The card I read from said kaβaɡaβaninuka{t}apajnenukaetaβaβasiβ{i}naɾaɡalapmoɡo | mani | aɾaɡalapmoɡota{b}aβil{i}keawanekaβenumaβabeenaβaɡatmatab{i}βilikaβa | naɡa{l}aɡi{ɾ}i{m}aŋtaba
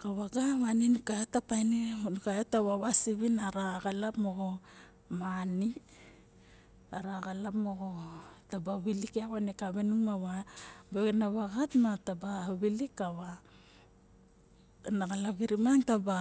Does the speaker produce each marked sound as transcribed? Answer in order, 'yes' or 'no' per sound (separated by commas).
yes, yes, yes, yes, no, yes, yes, yes